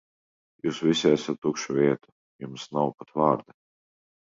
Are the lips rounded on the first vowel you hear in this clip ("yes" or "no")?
yes